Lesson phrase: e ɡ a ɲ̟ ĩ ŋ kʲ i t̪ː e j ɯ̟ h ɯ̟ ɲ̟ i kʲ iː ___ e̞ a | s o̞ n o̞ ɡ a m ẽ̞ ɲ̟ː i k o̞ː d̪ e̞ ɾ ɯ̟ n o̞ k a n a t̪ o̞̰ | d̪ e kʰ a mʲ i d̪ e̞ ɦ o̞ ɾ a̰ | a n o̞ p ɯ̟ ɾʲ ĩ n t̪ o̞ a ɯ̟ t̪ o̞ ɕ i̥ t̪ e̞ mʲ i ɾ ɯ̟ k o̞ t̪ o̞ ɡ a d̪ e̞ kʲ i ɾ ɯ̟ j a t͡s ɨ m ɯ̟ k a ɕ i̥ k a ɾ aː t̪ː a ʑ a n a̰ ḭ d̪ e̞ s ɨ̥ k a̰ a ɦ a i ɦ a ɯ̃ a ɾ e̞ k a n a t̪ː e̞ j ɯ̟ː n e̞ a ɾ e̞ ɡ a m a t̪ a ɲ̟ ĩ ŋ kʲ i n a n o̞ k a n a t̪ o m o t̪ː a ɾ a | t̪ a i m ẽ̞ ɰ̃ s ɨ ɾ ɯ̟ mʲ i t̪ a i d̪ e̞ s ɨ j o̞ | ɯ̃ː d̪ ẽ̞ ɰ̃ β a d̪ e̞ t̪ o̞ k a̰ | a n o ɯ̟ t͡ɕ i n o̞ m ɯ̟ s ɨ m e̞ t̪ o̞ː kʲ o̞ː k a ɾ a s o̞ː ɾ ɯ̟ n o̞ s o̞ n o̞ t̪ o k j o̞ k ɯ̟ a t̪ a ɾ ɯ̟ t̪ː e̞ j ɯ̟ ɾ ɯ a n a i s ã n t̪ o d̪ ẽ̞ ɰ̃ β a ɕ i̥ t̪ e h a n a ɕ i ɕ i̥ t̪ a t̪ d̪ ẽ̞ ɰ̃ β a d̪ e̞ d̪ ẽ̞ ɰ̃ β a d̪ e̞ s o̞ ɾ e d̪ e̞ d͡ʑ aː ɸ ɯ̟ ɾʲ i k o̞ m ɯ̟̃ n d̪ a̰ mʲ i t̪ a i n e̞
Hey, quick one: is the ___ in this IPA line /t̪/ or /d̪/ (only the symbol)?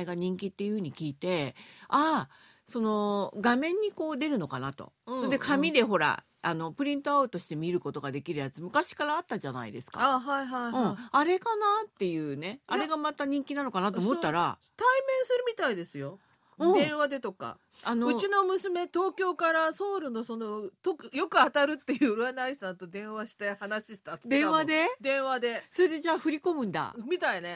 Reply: t̪